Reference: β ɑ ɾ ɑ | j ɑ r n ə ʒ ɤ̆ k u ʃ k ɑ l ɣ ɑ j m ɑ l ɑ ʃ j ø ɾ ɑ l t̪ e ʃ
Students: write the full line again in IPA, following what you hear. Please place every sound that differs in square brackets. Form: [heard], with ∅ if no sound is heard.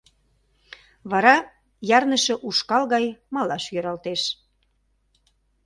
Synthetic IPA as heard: β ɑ ɾ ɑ | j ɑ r n ə [ʃ] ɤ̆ [ʔ] u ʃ k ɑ l ɣ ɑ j m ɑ l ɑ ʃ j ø ɾ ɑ l t̪ e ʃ

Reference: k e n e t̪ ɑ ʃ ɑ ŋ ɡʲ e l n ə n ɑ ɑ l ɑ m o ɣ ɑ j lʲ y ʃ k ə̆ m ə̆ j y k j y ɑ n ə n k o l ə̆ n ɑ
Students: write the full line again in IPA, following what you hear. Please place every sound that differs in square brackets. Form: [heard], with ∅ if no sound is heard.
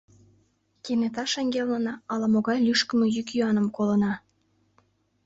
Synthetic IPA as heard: k e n e t̪ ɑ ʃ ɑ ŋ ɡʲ e l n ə n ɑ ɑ l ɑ m o ɣ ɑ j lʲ y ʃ k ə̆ m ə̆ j y k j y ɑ n ə [m] k o l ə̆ n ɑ

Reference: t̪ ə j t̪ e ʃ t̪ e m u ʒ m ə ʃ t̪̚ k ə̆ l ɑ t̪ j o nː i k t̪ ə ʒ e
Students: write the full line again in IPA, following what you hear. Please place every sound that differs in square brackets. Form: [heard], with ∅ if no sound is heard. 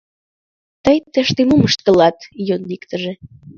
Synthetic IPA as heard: t̪ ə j t̪ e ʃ t̪ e m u [∅] m ə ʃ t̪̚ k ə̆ l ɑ t̪ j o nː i k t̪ ə ʒ e

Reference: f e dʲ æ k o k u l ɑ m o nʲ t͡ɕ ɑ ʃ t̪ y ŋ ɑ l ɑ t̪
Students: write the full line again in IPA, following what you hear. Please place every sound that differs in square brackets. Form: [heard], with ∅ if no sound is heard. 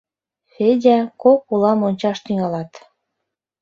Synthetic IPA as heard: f e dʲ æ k o k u l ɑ m o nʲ t͡ɕ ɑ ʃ t̪ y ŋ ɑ l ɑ t̪

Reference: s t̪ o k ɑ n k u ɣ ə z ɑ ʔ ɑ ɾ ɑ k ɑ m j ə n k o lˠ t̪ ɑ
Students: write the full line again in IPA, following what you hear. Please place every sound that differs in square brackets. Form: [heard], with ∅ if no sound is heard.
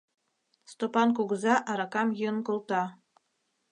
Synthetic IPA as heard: s t̪ o [p] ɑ n k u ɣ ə z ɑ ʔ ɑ ɾ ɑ k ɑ m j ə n k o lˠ t̪ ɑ

